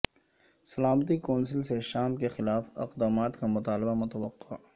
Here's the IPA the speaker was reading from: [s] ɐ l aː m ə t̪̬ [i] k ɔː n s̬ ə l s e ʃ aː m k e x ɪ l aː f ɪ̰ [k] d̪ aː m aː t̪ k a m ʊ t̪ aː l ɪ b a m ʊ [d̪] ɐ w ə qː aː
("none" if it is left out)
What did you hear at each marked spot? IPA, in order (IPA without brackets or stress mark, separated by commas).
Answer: s, i, q, t̪